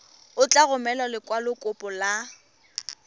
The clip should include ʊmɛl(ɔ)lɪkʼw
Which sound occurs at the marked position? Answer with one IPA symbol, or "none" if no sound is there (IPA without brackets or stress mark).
ɔ